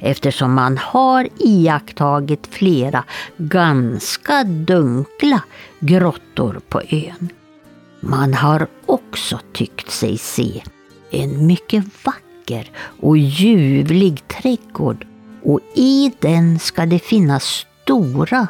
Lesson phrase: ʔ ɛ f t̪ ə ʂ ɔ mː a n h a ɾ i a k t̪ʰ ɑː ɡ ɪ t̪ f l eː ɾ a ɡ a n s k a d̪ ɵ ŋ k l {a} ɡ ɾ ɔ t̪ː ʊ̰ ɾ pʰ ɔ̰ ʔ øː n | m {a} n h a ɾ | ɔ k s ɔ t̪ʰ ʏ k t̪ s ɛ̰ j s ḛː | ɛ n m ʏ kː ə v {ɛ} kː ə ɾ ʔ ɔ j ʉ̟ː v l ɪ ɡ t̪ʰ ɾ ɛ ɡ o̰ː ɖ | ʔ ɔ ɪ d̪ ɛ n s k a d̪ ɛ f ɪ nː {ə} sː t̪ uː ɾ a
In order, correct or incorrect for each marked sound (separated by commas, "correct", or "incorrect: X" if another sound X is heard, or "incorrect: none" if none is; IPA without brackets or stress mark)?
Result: correct, correct, incorrect: a, incorrect: a